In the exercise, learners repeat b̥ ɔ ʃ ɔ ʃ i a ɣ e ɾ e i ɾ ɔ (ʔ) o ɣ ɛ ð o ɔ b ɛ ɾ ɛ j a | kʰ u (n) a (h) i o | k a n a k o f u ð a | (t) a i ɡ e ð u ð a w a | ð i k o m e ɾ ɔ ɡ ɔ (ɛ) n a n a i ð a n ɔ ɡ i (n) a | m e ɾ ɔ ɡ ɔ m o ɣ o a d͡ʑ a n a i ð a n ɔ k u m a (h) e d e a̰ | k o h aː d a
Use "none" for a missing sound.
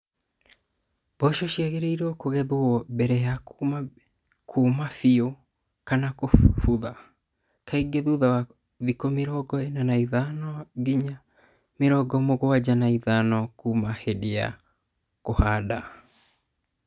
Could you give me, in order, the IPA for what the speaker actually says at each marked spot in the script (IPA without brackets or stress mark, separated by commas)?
k, m, f, k, e, ɲ, h